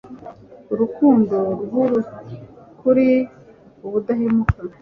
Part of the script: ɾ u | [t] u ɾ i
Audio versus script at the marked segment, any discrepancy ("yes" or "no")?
yes